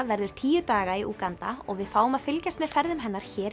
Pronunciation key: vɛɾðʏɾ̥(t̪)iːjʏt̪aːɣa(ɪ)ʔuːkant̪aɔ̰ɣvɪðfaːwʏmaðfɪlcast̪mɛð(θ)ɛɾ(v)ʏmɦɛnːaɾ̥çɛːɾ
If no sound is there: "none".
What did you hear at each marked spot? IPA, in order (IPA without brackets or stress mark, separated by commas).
t̪ʰ, i, f, ð